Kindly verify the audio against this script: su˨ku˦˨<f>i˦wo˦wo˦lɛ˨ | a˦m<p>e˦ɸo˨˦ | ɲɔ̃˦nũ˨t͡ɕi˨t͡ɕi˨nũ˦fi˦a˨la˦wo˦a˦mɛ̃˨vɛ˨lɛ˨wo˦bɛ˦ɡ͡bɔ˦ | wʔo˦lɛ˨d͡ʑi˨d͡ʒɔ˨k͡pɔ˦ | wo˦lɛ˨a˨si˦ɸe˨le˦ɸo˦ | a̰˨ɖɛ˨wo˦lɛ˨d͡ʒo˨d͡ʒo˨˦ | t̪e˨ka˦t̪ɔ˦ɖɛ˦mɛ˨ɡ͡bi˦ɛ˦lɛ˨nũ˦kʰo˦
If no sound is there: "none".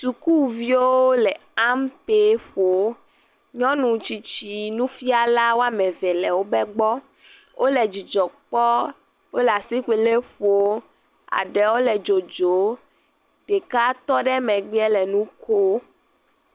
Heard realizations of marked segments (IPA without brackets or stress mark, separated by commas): v, p